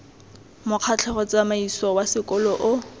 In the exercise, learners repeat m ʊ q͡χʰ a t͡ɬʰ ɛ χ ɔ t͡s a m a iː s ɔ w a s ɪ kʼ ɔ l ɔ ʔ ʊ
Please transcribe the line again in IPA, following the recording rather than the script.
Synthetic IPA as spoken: m ʊ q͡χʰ a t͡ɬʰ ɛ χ ɔ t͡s a m a i s ɔ w a s ɪ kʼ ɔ l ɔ ʔ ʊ